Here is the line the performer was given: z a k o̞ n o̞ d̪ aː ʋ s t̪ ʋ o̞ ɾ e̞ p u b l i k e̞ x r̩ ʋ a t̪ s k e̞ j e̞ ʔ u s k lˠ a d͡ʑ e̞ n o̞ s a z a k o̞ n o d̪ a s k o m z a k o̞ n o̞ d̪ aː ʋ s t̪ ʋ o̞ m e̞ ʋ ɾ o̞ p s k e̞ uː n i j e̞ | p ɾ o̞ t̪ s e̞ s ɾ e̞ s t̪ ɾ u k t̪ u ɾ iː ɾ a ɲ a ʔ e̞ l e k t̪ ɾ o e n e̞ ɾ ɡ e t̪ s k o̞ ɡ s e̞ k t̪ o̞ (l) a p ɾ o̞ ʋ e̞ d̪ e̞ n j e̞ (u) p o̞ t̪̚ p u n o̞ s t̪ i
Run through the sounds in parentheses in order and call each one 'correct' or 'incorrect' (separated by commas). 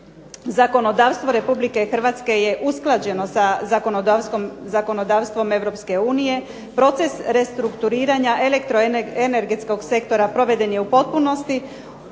incorrect, correct